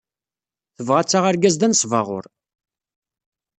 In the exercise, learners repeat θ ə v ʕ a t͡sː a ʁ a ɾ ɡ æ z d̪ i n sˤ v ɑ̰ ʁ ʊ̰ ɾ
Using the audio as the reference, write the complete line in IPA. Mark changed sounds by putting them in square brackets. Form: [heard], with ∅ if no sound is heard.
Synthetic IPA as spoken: θ ə v [ʁ] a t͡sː a ʁ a ɾ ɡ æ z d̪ [æ] n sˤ v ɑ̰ ʁ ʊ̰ ɾ